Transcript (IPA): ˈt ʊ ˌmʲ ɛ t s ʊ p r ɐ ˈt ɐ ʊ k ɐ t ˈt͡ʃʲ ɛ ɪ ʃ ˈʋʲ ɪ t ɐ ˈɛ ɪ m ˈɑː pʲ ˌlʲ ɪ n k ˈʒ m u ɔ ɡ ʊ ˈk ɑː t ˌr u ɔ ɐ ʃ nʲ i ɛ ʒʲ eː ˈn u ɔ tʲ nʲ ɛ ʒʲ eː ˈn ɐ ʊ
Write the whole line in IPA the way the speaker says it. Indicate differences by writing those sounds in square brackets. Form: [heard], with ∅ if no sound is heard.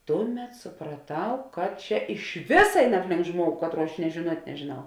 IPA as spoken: ˈt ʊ ˌmʲ ɛ t s ʊ p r ɐ ˈt ɐ ʊ k ɐ t ˈt͡ʃʲ ɛ ɪ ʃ ˈʋʲ ɪ [s] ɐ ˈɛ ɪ [n] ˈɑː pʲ ˌlʲ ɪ [ŋ] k ˈʒ m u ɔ ɡ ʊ ˈk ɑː t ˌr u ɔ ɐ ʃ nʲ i ɛ ʒʲ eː ˈn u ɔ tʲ nʲ ɛ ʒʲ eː ˈn ɐ ʊ